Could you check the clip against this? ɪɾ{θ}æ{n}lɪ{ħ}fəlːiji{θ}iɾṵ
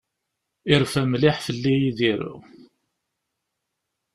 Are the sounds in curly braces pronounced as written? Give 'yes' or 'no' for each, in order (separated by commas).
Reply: no, no, yes, no